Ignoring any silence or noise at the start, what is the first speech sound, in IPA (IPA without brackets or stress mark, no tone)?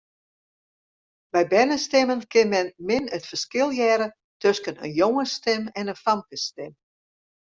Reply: b